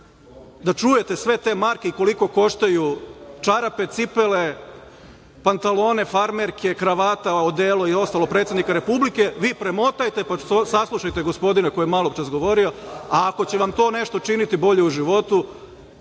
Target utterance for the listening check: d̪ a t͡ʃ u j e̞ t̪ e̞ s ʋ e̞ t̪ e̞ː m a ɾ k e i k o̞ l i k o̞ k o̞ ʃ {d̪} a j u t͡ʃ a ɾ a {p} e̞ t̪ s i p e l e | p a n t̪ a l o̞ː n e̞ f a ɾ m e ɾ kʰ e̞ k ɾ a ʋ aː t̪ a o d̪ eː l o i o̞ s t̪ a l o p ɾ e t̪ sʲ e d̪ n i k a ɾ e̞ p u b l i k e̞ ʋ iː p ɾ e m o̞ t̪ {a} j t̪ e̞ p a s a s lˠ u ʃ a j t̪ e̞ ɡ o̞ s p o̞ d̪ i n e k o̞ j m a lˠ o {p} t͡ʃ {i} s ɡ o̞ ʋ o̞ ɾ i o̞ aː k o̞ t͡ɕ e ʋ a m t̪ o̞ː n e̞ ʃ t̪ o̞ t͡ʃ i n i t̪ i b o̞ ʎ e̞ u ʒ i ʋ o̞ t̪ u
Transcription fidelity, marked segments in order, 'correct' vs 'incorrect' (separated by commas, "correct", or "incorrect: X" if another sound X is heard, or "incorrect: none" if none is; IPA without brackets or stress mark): incorrect: t̪, correct, correct, correct, incorrect: a